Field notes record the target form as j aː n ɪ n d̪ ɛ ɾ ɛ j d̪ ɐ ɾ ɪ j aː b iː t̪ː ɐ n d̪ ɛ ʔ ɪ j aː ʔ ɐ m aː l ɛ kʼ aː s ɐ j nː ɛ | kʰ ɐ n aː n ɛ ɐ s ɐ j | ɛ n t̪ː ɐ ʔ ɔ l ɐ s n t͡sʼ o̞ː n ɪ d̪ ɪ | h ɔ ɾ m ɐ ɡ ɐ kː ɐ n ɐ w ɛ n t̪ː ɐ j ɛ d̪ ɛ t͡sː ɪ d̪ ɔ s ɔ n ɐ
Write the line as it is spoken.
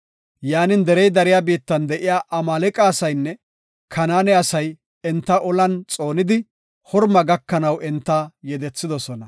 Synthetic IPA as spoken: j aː n ɪ n d̪ ɛ ɾ ɛ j d̪ ɐ ɾ ɪ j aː b iː t̪ː ɐ n d̪ ɛ ʔ ɪ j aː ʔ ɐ m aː l ɛ kʼ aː s ɐ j nː ɛ | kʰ ɐ n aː n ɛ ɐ s ɐ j | ɛ n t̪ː ɐ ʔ ɔ l ɐ n t͡sʼ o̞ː n ɪ d̪ ɪ | h ɔ ɾ m ɐ ɡ ɐ kː ɐ n ɐ w ɛ n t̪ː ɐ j ɛ d̪ ɛ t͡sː ɪ d̪ ɔ s ɔ n ɐ